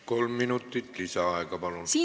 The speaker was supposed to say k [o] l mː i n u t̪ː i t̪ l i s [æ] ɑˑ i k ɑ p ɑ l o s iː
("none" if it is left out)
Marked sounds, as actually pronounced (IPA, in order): o, æ

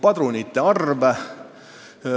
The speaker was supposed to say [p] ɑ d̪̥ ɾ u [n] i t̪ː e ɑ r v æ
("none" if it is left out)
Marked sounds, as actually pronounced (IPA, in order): p, n

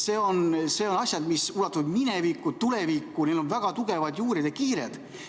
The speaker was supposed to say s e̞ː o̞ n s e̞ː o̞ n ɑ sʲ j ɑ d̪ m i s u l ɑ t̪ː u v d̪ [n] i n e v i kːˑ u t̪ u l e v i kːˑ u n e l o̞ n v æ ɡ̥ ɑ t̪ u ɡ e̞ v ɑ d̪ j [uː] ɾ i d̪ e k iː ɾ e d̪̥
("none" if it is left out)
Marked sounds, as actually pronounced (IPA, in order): m, uː

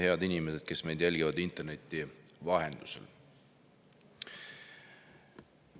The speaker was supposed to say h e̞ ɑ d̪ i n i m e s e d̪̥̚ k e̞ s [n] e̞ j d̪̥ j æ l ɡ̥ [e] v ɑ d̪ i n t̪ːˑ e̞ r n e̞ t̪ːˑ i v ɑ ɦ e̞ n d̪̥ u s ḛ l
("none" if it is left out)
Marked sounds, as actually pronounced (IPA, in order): m, i

